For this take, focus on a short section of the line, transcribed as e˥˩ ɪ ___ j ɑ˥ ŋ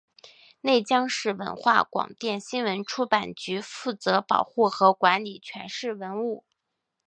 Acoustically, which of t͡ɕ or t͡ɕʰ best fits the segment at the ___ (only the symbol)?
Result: t͡ɕ